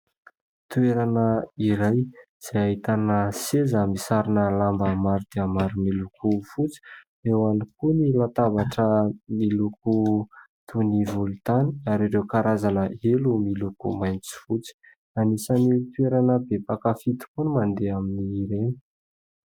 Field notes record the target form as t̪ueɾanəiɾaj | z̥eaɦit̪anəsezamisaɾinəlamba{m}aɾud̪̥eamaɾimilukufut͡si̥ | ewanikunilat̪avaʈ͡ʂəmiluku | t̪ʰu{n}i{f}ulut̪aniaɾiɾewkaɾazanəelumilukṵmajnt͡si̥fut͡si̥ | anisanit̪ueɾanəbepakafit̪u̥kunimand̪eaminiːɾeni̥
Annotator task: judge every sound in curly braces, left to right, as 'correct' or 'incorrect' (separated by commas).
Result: correct, correct, incorrect